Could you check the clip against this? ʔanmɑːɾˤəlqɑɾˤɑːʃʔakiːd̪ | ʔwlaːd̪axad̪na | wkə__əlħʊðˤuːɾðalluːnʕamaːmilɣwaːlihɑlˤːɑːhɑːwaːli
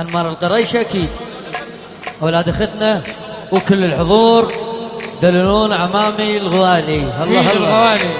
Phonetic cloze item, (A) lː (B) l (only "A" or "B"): A